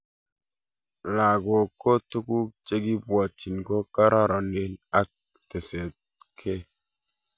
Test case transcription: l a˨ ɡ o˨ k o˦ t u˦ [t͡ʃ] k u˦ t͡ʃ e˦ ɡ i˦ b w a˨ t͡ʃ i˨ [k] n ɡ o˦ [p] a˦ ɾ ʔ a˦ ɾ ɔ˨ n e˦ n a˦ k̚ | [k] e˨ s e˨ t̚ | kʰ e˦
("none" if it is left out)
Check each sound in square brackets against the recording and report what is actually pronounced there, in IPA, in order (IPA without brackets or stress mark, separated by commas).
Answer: none, none, k, t